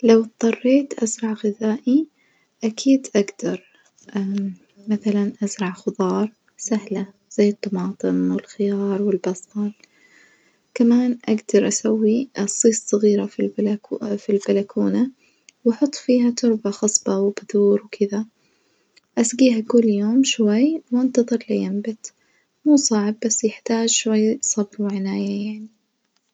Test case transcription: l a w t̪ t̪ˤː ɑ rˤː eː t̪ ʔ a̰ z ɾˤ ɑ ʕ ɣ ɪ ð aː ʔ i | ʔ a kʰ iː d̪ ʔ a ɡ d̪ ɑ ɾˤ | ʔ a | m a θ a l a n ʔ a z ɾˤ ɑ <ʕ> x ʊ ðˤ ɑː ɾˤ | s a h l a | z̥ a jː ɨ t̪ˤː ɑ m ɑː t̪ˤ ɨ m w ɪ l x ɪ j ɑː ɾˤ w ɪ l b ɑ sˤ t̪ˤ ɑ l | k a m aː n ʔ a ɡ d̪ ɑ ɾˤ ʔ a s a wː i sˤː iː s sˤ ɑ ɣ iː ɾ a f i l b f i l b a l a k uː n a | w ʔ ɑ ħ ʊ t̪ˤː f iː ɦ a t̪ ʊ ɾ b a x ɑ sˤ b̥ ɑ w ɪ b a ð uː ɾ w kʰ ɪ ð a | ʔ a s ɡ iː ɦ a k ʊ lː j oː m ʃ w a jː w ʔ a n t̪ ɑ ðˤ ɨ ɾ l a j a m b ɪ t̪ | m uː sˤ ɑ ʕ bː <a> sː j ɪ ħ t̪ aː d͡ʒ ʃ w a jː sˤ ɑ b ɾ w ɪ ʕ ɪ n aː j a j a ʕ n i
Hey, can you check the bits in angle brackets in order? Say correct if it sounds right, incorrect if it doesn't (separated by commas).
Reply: correct, correct